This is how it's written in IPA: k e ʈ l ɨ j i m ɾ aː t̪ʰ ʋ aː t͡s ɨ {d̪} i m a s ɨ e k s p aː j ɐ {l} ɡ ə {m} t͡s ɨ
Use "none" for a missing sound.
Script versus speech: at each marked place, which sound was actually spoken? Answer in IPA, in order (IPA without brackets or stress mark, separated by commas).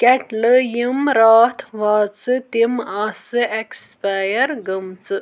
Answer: t̪, ɾ, m